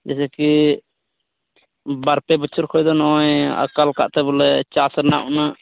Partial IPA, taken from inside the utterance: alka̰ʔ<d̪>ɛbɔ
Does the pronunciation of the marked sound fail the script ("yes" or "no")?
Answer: yes